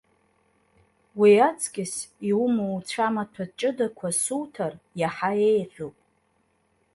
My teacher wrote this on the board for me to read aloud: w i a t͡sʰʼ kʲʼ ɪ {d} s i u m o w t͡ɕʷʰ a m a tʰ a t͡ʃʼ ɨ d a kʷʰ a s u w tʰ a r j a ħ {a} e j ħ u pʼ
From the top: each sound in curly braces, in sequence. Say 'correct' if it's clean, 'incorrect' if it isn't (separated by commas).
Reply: incorrect, correct